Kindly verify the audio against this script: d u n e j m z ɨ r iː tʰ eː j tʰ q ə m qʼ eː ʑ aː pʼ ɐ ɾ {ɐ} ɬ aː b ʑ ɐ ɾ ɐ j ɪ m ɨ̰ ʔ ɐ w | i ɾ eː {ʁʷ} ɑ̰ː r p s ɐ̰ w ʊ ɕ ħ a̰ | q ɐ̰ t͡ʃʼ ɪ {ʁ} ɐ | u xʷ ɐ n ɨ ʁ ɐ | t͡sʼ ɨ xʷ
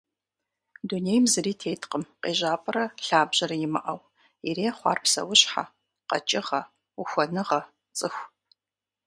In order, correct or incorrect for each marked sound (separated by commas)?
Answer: correct, incorrect, correct